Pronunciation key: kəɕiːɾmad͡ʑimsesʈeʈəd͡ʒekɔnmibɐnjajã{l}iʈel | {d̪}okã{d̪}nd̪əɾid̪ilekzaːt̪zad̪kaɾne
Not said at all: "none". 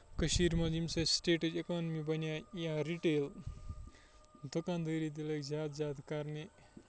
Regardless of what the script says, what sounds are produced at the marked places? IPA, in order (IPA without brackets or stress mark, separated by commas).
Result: ɾ, d̪, none